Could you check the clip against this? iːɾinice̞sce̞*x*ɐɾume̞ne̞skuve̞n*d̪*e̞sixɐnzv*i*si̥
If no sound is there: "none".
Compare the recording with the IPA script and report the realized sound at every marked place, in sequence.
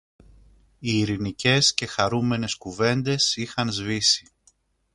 x, d̪, i

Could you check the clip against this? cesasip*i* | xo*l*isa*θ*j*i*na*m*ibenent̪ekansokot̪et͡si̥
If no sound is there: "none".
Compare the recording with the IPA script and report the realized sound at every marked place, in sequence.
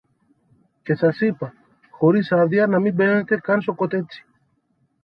a, ɾ, ð, a, m

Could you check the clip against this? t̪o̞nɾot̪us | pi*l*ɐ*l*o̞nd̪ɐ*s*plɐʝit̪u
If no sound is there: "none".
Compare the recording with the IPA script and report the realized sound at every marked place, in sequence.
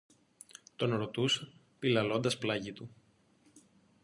l, l, s

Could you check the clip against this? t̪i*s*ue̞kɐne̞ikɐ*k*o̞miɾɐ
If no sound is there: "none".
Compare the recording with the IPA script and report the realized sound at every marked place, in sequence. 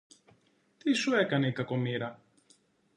s, k

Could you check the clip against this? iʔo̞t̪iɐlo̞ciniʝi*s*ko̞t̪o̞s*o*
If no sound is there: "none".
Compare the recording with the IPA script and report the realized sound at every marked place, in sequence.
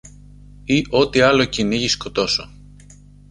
s, o

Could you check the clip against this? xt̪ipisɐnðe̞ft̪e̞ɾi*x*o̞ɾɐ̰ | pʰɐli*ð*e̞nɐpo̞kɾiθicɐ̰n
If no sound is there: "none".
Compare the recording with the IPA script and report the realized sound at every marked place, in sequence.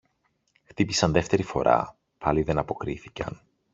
f, ð

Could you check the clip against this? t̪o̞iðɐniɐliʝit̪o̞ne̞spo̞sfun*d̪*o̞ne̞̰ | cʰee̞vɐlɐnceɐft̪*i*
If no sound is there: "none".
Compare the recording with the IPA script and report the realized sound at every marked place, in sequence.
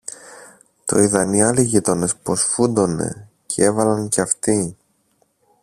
d̪, i

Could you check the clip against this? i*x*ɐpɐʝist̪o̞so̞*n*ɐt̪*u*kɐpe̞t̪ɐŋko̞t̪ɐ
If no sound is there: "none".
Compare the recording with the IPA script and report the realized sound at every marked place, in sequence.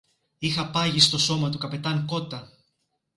x, m, u

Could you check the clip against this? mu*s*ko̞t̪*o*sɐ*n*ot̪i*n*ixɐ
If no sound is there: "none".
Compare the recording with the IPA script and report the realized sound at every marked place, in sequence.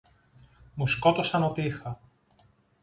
s, o, n, none

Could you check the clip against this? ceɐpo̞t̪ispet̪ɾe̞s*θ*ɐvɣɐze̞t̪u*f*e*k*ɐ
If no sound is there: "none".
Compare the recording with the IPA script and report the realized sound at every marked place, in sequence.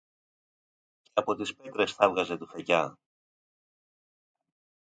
θ, f, c

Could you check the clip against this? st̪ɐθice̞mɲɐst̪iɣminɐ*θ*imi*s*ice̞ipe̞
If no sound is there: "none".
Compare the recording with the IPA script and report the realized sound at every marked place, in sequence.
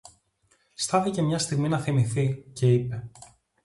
θ, θ

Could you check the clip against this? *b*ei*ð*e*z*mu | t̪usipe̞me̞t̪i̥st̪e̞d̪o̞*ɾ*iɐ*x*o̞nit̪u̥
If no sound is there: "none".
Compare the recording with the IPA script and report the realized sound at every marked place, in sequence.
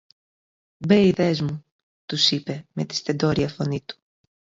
b, ð, z, ɾ, f

